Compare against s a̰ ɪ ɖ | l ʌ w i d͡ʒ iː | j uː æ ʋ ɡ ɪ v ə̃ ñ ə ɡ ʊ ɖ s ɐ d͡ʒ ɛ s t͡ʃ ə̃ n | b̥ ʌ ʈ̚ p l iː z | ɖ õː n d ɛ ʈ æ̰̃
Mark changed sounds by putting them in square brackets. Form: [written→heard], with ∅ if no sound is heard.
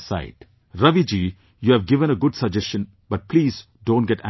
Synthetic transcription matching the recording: s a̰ ɪ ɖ | [l→ɾ] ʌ [w→ʋ] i d͡ʒ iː | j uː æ ʋ ɡ ɪ [v→ʋ] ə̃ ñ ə ɡ ʊ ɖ s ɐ d͡ʒ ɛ s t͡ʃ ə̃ n | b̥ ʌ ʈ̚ p l iː z | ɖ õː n [d→ɡ] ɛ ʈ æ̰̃